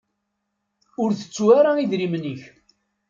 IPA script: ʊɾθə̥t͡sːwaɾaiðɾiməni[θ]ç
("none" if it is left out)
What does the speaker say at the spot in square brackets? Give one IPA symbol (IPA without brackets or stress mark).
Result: none